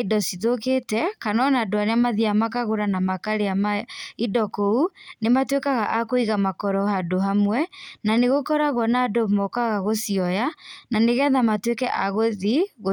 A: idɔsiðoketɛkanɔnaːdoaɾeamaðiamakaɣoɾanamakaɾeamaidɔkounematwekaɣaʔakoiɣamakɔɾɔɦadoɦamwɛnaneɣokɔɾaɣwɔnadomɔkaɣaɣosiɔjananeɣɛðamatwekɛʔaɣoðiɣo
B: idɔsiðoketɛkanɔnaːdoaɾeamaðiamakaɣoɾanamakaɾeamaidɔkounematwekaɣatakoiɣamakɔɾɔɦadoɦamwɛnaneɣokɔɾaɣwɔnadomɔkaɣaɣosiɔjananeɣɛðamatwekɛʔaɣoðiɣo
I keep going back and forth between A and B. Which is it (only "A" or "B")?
A